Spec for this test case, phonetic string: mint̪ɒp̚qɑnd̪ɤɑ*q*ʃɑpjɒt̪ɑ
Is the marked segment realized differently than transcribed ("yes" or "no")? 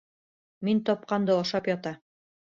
yes